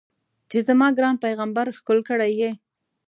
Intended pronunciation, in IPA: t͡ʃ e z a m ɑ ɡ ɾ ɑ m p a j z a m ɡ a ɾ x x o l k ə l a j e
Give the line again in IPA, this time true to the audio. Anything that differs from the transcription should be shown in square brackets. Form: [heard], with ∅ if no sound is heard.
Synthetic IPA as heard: t͡ʃ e z a m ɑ ɡ ɾ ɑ [n] p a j [ɣ] a m [b] a ɾ x [k] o l k ə [ɽ] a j e